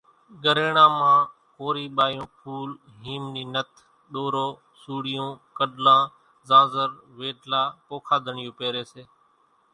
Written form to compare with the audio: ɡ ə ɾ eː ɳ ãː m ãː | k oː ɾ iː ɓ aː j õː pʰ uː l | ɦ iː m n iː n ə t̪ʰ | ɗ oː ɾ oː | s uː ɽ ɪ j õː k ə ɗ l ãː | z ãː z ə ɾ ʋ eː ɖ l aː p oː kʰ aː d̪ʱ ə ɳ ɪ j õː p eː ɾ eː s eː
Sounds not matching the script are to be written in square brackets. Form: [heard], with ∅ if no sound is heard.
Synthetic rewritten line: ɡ ə ɾ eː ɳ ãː m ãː | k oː ɾ iː ɓ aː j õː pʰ uː l | ɦ iː m n iː n ə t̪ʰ | ɗ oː ɾ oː | s uː ɽ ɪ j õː k ə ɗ l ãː | z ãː z ə ɾ ʋ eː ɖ l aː p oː kʰ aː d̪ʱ ə ɳ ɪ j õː p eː ɾ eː s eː